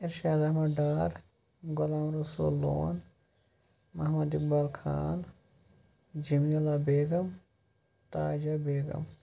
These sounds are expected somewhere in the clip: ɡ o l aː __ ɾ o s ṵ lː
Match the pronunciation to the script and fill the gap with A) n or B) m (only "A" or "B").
B